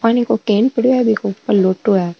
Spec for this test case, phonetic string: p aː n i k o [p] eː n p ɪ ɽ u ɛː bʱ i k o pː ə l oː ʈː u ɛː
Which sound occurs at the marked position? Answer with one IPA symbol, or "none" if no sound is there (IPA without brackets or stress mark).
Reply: k